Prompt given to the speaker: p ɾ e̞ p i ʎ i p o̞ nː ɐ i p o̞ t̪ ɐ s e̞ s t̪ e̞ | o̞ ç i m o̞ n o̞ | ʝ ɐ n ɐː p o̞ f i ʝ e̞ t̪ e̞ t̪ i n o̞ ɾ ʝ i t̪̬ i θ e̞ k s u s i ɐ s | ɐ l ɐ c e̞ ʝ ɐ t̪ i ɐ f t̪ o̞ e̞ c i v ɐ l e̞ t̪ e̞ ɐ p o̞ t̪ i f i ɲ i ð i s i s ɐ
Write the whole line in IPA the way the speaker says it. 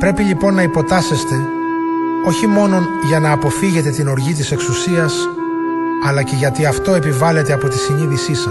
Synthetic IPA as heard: p ɾ e̞ p i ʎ i p o̞ nː ɐ i p o̞ t̪ ɐ s e̞ s t̪ e̞ | o̞ ç i m o̞ n o̞ | ʝ ɐ n ɐː p o̞ f i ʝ e̞ t̪ e̞ t̪ i n o̞ ɾ ʝ i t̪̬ i s e̞ k s u s i ɐ s | ɐ l ɐ c e̞ ʝ ɐ t̪ i ɐ f t̪ o̞ e̞ p i v ɐ l e̞ t̪ e̞ ɐ p o̞ t̪ i s i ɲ i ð i s i s ɐ